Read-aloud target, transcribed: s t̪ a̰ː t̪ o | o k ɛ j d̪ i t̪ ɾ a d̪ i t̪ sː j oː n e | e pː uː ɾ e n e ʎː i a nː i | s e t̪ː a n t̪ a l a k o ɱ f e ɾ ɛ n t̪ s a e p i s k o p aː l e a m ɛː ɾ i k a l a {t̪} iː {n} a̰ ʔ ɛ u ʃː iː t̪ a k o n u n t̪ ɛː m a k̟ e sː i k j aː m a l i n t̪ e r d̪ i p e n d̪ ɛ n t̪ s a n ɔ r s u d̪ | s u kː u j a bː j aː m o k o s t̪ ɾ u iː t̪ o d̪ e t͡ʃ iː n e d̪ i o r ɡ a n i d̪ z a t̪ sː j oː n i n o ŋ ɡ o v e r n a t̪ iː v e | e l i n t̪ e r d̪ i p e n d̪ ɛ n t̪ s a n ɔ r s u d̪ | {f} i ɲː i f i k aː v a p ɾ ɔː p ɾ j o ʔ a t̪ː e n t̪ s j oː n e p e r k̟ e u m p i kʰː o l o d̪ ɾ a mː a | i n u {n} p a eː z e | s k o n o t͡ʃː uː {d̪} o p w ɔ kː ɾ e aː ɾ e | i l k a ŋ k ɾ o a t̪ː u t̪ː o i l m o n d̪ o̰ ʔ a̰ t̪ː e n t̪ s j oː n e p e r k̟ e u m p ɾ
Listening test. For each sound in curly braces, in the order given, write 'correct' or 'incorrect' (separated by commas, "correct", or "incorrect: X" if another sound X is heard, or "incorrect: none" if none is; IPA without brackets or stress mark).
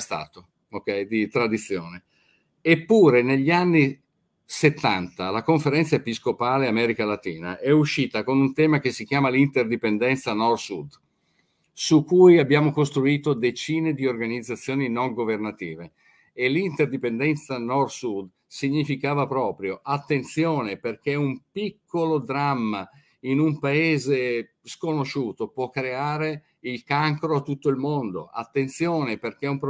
correct, correct, incorrect: s, incorrect: m, incorrect: t̪